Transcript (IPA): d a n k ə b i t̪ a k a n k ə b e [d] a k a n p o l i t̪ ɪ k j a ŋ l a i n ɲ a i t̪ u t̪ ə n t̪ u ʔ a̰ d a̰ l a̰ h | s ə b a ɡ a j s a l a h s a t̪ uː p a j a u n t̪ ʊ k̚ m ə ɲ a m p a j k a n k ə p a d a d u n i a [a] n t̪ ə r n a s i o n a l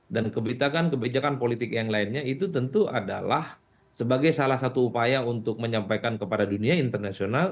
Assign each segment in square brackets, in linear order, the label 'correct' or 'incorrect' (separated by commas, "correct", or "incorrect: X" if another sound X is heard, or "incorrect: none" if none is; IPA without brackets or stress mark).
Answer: incorrect: d͡ʒ, incorrect: i